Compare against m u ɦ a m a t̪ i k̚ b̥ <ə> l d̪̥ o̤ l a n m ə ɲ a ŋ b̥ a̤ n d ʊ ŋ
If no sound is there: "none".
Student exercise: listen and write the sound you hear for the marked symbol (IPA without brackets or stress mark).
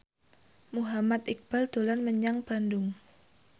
a